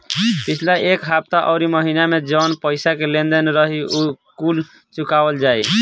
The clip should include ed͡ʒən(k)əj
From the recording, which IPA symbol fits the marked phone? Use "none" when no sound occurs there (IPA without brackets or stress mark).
p